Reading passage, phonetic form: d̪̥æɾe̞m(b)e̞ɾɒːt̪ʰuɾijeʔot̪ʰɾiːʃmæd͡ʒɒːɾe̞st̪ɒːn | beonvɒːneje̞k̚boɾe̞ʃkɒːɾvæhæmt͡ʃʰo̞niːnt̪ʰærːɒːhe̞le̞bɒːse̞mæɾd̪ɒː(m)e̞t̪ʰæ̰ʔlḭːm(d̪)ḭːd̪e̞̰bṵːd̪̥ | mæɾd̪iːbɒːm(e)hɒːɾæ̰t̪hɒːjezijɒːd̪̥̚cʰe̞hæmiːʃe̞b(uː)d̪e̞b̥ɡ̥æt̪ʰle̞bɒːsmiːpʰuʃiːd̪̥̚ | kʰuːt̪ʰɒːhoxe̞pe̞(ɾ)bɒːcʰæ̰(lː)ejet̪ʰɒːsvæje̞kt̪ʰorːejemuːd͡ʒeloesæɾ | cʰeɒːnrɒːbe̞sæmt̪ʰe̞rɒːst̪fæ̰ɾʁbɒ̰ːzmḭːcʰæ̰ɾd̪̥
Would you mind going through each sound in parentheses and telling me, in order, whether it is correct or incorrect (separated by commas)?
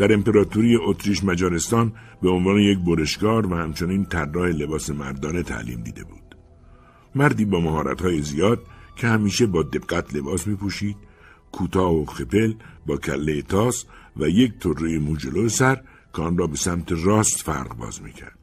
incorrect, incorrect, correct, incorrect, incorrect, incorrect, correct